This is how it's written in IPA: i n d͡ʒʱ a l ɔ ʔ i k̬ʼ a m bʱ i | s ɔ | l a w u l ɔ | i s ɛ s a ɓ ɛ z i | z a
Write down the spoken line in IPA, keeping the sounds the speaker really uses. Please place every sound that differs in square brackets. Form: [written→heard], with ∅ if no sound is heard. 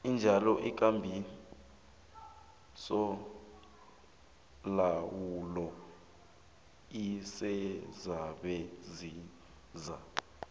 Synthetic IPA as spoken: i n d͡ʒʱ a l ɔ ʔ i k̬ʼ a m bʱ i | s ɔ | l a w u l ɔ | i s ɛ [s→z] a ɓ ɛ z i | z a